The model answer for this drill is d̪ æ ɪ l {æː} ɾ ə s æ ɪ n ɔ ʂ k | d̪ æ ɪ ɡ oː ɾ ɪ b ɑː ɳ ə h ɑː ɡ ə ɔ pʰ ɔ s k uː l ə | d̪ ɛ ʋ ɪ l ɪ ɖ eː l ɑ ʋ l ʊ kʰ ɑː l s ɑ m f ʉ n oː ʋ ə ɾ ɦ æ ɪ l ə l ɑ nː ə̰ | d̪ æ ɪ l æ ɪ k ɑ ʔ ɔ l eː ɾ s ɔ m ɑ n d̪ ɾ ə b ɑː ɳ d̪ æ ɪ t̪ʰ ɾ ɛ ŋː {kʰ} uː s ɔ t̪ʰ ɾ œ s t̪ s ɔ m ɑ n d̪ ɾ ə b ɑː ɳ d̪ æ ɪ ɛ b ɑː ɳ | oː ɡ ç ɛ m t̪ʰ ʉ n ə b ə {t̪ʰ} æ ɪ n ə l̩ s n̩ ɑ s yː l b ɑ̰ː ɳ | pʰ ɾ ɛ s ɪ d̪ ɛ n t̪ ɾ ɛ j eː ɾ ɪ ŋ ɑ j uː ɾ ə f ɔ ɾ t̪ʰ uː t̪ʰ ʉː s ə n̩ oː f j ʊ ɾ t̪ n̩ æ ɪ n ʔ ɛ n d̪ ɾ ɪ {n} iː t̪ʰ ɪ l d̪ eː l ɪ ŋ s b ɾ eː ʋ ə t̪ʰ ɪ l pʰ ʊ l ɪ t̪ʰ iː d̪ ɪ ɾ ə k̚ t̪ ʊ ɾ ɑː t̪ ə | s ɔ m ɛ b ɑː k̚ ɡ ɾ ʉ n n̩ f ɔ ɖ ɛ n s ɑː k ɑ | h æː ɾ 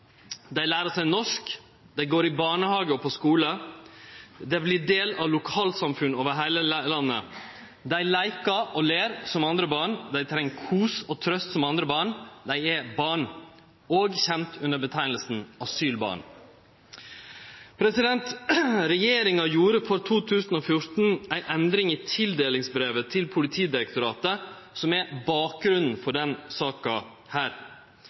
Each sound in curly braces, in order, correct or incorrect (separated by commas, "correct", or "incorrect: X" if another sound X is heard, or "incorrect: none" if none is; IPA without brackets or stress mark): correct, correct, correct, incorrect: ŋ